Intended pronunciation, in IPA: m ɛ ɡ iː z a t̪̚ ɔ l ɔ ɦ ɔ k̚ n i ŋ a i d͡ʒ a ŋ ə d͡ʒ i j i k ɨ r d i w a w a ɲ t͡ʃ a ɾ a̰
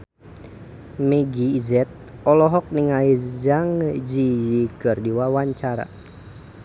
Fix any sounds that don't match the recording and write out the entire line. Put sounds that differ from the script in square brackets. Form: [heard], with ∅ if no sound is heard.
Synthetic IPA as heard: m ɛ ɡ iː z [ɛ] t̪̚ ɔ l ɔ ɦ ɔ k̚ n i ŋ a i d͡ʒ a ŋ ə d͡ʒ i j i k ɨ r d i w a w a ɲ t͡ʃ a ɾ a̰